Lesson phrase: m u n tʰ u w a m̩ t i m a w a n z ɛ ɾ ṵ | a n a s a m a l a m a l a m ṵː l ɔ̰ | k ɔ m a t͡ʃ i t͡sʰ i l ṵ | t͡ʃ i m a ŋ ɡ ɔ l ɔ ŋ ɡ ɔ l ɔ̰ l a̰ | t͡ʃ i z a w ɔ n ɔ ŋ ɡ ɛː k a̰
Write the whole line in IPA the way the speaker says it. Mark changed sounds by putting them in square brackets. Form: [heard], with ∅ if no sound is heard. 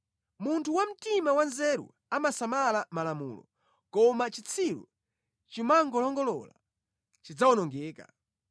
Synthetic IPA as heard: m u n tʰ u w a m̩ t i m a w a n z ɛ ɾ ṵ | a [m] a s a m a l a m a l a m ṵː l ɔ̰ | k ɔ m a t͡ʃ i t͡sʰ i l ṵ | t͡ʃ i m a ŋ ɡ ɔ l ɔ ŋ ɡ ɔ l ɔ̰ l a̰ | t͡ʃ i [d͡z] a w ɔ n ɔ ŋ ɡ ɛː k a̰